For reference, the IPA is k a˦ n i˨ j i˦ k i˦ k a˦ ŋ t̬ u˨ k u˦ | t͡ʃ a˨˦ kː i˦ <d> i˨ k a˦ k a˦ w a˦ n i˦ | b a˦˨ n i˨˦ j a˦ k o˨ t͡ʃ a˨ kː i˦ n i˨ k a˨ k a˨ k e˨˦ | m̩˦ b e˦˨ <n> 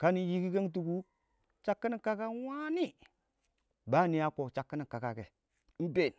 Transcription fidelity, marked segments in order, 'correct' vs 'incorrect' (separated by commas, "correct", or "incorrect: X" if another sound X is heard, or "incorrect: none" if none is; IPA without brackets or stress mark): incorrect: n, correct